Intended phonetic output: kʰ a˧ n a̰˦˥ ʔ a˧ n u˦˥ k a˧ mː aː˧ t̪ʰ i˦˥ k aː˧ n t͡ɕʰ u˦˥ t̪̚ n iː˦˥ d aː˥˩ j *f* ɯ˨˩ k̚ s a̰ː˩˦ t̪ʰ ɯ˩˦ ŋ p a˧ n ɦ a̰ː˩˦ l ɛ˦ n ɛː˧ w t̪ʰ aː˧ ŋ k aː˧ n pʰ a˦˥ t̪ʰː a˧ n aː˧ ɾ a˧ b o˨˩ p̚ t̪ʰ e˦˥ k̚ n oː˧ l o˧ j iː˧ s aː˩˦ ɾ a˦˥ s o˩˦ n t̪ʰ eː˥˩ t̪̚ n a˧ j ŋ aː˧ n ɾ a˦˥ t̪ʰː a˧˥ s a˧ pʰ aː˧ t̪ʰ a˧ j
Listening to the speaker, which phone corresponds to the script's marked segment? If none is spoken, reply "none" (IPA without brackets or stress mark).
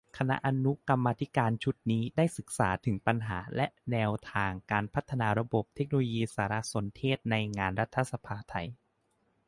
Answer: s